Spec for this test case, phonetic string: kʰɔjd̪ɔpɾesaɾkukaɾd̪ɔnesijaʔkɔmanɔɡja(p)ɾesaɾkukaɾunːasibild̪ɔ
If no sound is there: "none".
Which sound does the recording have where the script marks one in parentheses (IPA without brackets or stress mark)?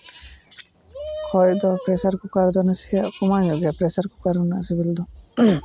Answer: p